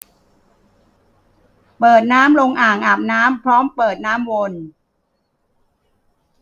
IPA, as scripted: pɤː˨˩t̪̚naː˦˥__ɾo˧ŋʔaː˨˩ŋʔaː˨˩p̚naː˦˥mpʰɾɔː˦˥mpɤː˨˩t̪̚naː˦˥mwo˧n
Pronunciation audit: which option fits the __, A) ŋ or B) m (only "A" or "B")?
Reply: B